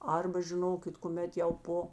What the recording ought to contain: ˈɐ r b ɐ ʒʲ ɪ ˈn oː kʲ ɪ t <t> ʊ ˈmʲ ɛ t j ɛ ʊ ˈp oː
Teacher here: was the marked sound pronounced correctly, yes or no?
no